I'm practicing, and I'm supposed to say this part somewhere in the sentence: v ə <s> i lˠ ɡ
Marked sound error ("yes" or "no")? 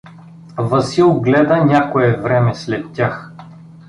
no